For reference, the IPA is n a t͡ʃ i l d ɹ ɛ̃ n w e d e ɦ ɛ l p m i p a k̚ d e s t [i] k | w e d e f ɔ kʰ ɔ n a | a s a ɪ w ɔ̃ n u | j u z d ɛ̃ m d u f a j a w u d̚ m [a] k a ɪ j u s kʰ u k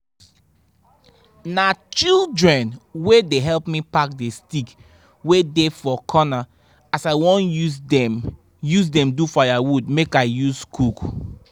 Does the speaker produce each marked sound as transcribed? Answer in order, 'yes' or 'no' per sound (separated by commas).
yes, no